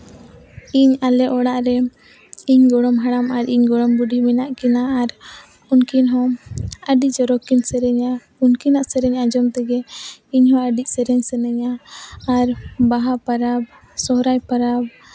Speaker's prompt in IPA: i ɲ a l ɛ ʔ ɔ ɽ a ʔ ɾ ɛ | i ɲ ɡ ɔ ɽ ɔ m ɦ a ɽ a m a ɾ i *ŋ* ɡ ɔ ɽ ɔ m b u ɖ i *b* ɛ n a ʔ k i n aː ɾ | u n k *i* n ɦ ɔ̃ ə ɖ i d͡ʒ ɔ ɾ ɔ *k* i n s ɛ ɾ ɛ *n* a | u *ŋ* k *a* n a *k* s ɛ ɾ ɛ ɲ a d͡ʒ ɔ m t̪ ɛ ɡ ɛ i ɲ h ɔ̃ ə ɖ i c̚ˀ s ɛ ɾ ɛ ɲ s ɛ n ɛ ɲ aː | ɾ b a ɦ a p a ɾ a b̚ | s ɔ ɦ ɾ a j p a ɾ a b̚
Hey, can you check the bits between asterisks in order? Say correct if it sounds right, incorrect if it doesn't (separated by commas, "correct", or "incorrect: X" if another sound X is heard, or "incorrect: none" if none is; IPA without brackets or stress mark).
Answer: incorrect: ɲ, incorrect: m, correct, correct, incorrect: ɲ, incorrect: n, incorrect: i, incorrect: ʔ